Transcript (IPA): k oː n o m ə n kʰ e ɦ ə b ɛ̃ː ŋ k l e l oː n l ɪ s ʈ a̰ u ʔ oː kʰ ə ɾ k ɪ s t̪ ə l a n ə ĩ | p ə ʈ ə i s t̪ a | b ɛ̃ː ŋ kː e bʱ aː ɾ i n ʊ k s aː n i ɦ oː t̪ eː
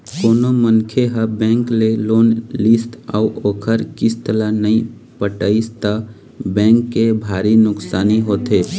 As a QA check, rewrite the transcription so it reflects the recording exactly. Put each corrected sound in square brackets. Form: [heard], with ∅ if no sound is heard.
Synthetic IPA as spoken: k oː n o m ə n kʰ e ɦ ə b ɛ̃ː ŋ k l e l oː n l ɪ s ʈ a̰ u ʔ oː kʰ ə ɾ k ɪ s t̪ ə l a n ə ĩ | p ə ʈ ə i s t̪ a | b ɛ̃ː ŋ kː e bʱ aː ɾ i n ʊ k s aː n i ɦ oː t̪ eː

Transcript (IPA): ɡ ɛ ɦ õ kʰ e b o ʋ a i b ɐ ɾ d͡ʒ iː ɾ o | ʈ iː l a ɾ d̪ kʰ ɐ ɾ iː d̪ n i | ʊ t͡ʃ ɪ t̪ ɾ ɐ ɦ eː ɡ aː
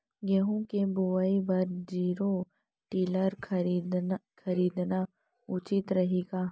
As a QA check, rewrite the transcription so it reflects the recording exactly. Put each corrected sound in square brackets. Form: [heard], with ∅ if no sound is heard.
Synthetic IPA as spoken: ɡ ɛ ɦ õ [k] e b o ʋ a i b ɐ ɾ d͡ʒ iː ɾ o | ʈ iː l [ə] ɾ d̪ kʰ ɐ ɾ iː d̪ n [a] | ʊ t͡ʃ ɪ t̪ ɾ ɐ ɦ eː ɡ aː

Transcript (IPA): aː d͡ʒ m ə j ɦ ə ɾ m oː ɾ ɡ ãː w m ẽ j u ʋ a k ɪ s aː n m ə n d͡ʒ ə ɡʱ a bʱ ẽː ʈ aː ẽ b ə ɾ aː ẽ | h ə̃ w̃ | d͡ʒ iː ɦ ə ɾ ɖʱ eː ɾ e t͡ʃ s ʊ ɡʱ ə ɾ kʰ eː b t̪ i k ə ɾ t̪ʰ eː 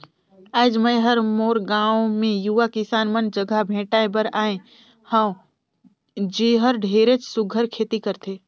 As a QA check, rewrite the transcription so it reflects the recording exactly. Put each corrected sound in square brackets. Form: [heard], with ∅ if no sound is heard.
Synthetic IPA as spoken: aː d͡ʒ m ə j ɦ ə ɾ m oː ɾ ɡ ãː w m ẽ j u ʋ a k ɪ s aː n m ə n d͡ʒ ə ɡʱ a bʱ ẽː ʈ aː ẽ b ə ɾ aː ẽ | h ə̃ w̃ | d͡ʒ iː ɦ ə ɾ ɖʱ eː ɾ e t͡ʃ s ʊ ɡʱ ə ɾ kʰ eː [∅] t̪ i k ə ɾ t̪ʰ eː

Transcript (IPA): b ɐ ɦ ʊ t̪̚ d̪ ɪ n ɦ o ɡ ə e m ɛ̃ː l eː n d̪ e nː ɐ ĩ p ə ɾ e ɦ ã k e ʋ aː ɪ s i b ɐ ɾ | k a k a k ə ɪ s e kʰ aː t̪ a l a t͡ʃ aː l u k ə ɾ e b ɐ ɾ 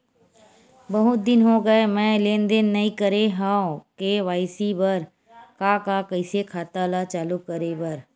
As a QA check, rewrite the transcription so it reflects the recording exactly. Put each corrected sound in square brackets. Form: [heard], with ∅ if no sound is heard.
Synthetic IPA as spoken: b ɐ ɦ ʊ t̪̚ d̪ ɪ n ɦ o ɡ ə e m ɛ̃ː l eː n d̪ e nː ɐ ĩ [k] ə ɾ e ɦ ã k e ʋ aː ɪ s i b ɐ ɾ | k a k a k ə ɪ s e kʰ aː t̪ a l a t͡ʃ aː l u k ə ɾ e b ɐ ɾ

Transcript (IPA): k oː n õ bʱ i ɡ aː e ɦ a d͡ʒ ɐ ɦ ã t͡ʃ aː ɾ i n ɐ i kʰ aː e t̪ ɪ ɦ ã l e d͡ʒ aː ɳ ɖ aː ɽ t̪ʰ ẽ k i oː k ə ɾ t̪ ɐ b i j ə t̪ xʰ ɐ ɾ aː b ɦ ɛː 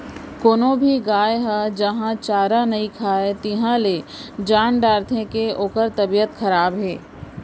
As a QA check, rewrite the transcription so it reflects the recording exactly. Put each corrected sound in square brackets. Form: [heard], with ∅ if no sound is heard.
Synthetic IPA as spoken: k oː n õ bʱ i ɡ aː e ɦ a d͡ʒ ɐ ɦ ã t͡ʃ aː ɾ [a] n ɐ i kʰ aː e t̪ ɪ ɦ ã l e d͡ʒ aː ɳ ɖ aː [ɾ] t̪ʰ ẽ k [e] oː k ə ɾ t̪ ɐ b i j ə t̪ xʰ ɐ ɾ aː b ɦ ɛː

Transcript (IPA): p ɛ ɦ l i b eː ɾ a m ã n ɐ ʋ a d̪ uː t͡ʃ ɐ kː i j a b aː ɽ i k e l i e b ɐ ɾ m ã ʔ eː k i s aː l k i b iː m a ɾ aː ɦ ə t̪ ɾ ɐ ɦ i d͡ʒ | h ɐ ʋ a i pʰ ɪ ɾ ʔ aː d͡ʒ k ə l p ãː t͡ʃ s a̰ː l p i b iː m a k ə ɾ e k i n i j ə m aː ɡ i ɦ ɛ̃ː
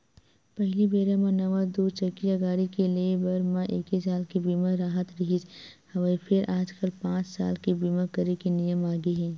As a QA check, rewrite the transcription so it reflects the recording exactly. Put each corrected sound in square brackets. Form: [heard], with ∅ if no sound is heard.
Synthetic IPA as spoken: p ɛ ɦ l i b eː ɾ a m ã n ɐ ʋ a d̪ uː t͡ʃ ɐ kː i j a [ɡ] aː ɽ i k e l i e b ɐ ɾ m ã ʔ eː k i s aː l k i b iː m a ɾ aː ɦ ə t̪ ɾ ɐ ɦ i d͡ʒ | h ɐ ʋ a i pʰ ɪ ɾ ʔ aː d͡ʒ k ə l p ãː t͡ʃ s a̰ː l [k] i b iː m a k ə ɾ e k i n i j ə m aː ɡ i ɦ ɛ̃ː

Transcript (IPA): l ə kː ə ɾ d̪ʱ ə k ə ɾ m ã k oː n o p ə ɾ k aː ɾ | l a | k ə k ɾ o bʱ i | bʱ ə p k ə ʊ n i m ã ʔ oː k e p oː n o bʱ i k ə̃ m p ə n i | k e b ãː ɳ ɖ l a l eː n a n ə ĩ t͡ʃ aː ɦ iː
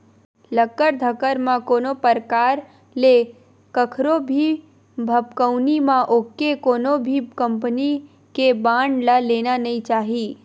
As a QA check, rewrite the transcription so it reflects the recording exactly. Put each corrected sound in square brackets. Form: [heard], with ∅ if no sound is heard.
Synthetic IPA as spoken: l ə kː ə ɾ d̪ʱ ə k ə ɾ m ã k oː n o p ə ɾ k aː ɾ | l [e] | k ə [kʰ] ɾ o bʱ i | bʱ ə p k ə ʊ n i m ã ʔ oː k e [k] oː n o bʱ i k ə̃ m p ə n i | k e b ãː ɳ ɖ l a l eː n a n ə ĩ t͡ʃ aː ɦ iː

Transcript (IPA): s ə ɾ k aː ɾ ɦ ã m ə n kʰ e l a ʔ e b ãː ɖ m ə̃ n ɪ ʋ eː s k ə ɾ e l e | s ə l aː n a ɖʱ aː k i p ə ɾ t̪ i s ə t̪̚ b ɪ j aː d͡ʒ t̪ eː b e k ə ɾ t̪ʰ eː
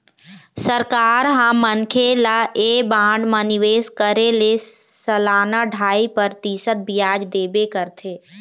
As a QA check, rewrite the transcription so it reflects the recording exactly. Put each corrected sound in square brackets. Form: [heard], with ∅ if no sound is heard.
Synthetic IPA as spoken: s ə ɾ k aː ɾ ɦ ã m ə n kʰ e l a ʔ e b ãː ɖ m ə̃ n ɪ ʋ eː s k ə ɾ e l e | s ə l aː n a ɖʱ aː [∅] i p ə ɾ t̪ i s ə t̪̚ b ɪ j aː d͡ʒ [d̪] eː b e k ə ɾ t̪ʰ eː

